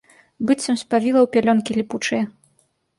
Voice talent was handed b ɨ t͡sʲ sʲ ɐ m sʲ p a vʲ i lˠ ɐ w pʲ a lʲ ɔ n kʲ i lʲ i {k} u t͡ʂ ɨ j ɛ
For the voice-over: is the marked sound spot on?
no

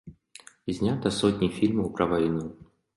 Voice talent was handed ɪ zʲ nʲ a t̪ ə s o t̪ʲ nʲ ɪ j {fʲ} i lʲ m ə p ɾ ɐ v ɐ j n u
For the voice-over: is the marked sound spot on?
yes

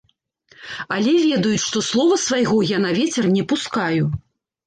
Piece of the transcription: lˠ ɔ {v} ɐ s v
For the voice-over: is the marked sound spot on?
yes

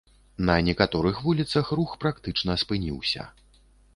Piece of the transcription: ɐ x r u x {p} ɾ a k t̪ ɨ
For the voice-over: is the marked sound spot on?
yes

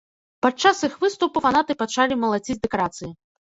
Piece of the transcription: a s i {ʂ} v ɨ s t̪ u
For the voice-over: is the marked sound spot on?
no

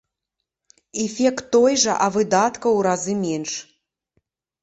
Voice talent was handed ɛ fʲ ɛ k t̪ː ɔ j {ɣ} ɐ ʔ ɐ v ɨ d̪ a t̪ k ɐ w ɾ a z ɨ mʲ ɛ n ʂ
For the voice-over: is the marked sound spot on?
no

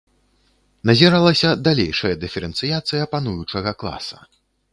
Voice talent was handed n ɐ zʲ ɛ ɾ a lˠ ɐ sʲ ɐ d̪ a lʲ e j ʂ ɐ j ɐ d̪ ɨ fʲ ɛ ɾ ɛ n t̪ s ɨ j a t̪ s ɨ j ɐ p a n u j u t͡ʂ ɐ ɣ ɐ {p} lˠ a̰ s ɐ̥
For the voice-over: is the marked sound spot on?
no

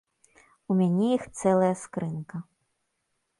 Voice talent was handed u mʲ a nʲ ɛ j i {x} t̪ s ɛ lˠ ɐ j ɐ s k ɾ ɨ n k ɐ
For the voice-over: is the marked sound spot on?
yes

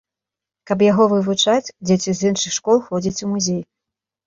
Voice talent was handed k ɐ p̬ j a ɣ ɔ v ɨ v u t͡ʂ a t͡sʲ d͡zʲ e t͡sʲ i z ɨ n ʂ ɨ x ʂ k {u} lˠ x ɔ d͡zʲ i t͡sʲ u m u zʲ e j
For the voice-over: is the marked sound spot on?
no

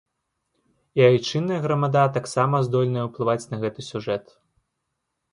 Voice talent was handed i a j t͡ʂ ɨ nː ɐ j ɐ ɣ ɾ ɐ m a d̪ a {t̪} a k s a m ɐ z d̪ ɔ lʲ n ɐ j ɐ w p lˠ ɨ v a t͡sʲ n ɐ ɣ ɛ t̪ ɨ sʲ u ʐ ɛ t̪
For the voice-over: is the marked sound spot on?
yes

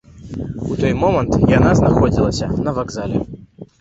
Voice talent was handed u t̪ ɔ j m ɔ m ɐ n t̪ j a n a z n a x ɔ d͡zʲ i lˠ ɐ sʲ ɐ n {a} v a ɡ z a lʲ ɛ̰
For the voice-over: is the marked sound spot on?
no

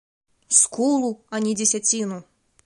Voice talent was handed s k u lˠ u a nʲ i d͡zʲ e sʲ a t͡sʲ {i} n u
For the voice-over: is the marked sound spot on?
yes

